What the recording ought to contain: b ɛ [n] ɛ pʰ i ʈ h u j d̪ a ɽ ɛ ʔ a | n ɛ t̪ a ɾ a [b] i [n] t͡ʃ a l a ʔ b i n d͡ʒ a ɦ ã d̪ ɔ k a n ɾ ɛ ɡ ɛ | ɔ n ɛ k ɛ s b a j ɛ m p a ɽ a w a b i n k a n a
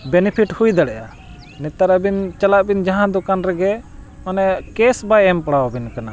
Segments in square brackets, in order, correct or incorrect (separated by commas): correct, correct, correct